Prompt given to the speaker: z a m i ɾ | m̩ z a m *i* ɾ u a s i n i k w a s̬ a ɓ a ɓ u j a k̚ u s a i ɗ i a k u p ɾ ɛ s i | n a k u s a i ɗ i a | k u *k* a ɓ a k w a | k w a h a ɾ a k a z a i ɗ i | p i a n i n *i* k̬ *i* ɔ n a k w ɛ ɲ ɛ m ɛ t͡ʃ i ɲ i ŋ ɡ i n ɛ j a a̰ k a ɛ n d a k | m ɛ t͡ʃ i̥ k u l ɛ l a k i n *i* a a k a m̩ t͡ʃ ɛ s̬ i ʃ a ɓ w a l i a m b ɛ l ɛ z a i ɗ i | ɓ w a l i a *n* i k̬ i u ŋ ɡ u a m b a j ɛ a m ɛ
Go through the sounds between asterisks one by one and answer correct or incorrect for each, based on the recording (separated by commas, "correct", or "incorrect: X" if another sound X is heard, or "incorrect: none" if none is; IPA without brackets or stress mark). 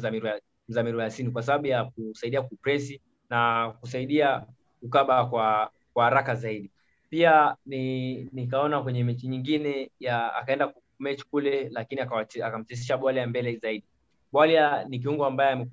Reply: correct, correct, correct, incorrect: a, correct, correct